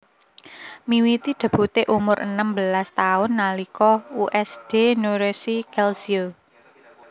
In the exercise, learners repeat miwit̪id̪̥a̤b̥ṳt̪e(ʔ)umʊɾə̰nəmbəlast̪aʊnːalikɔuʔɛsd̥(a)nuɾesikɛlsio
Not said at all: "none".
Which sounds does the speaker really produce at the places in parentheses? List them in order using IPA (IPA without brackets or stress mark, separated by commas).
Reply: ʔ, e